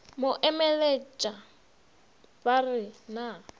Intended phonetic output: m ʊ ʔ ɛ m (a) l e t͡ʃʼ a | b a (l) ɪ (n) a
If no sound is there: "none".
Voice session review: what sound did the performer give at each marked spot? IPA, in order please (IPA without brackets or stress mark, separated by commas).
ɛ, r, n